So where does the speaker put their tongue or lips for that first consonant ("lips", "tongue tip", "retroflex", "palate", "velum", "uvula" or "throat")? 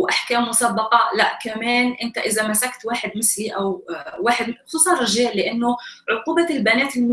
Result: throat